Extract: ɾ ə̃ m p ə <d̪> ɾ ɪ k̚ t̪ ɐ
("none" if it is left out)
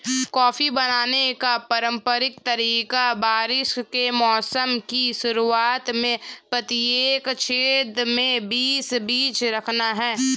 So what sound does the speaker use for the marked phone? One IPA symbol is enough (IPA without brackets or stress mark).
none